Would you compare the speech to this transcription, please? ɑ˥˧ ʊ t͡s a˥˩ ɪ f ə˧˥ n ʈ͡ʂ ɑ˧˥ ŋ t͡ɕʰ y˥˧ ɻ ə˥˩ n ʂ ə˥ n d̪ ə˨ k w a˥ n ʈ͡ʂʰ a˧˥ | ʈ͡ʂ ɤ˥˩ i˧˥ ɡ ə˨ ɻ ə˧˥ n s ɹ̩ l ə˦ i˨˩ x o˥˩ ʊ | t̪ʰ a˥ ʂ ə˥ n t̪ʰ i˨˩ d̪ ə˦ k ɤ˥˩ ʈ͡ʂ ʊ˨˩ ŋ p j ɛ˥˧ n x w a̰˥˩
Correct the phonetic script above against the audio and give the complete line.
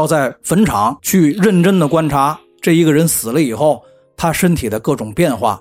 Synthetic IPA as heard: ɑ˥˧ ʊ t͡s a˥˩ ɪ f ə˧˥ n ʈ͡ʂʰ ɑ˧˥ ŋ t͡ɕʰ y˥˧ ɻ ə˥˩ n ʈ͡ʂ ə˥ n d̪ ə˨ k w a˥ n ʈ͡ʂʰ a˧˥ | ʈ͡ʂ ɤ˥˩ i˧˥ ɡ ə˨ ɻ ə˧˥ n s ɹ̩ l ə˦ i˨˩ x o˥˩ ʊ | t̪ʰ a˥ ʂ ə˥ n t̪ʰ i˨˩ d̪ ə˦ k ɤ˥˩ ʈ͡ʂ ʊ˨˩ ŋ p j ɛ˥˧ n x w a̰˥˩